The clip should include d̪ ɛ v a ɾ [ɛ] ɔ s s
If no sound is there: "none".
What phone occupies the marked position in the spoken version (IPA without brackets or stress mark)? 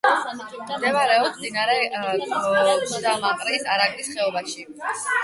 ɛ